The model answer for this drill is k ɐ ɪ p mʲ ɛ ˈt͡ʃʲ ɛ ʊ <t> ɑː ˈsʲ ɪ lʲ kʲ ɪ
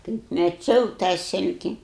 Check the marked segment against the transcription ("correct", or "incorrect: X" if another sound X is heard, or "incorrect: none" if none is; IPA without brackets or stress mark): correct